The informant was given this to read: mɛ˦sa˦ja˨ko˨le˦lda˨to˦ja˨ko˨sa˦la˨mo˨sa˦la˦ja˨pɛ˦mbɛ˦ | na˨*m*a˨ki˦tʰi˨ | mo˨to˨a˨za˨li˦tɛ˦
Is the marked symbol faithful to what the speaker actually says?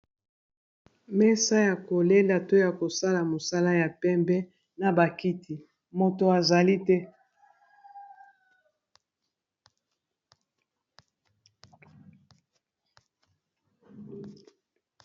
no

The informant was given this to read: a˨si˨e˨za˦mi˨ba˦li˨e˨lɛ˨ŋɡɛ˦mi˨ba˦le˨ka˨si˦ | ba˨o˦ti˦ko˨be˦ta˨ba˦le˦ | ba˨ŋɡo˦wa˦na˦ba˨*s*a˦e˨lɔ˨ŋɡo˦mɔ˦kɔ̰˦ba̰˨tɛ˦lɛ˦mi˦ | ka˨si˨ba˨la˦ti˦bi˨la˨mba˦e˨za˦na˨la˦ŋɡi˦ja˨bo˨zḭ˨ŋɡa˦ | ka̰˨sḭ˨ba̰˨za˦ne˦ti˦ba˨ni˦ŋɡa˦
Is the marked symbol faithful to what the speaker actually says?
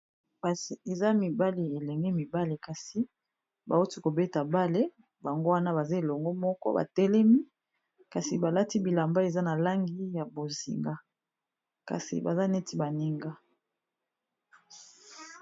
no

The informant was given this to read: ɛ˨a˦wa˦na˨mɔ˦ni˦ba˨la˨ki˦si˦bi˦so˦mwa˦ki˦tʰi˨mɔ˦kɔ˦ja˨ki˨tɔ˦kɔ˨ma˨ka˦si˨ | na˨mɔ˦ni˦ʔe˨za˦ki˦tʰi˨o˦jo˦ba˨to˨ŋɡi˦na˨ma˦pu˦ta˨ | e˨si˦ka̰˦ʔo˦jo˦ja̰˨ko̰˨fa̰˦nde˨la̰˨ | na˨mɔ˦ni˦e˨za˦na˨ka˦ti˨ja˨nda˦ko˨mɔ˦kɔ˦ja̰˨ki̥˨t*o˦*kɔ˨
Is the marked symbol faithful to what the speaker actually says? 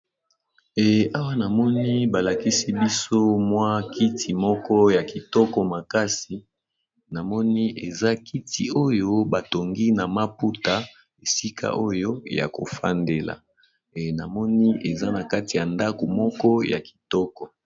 no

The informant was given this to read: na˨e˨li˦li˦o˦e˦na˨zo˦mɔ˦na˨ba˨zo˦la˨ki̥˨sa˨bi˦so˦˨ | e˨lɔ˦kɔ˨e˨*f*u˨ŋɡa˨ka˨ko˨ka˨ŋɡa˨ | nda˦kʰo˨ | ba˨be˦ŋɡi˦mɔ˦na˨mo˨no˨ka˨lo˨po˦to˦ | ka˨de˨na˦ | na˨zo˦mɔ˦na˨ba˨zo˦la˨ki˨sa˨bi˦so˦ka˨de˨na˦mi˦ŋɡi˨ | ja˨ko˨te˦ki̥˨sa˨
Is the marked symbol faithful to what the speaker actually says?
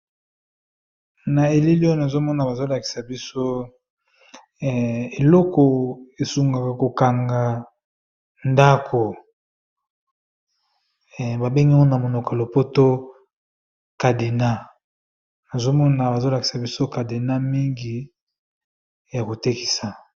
no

